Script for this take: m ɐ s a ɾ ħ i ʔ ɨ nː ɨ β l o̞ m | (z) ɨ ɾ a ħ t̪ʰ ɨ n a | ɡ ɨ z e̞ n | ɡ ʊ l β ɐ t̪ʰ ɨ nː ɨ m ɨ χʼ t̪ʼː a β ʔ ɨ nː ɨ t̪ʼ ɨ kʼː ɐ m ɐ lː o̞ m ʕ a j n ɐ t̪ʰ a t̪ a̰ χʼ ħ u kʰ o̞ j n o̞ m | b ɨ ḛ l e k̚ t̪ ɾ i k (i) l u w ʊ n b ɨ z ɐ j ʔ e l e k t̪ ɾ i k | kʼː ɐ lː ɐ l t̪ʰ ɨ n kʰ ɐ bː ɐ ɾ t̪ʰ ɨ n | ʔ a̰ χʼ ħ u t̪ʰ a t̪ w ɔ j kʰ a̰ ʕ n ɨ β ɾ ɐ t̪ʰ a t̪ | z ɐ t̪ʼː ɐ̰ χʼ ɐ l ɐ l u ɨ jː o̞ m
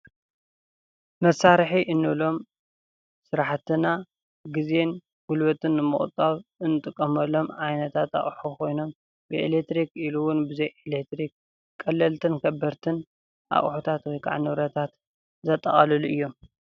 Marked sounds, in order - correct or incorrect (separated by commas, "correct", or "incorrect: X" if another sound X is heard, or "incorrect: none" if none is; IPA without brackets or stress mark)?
incorrect: s, correct